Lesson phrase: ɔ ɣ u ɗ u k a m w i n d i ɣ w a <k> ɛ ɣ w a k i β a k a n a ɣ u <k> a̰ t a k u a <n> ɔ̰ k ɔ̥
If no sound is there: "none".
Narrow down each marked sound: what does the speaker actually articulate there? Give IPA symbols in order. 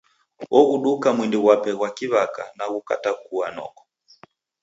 p, k, n

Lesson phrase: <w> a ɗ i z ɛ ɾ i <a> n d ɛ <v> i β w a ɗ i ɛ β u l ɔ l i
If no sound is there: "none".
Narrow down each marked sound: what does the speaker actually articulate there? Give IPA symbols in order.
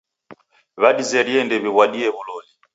β, ɛ, β

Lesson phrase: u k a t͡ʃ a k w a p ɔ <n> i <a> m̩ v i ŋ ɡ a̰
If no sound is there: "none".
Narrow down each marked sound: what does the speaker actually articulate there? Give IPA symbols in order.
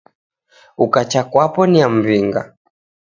n, a

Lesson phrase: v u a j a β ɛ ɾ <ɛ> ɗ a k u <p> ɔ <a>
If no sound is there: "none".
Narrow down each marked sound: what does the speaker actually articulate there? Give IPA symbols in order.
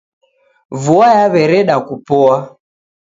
ɛ, p, a

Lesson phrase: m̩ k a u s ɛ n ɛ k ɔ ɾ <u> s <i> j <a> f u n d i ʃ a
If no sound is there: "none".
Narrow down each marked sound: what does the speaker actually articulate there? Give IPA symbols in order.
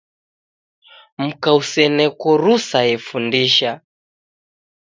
u, a, ɛ

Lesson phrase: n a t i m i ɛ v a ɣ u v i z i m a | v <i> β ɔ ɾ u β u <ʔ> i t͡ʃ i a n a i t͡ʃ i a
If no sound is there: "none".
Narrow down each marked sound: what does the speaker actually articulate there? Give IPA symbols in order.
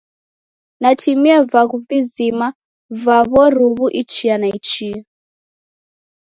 a, ʔ

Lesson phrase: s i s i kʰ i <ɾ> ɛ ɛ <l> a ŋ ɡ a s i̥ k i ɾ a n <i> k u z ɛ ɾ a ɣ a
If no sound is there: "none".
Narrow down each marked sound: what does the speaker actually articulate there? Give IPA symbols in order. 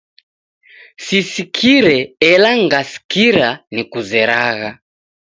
ɾ, l, i

